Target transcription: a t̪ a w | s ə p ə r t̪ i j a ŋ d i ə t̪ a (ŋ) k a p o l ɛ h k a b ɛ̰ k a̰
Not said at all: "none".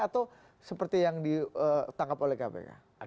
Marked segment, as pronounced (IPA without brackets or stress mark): ŋ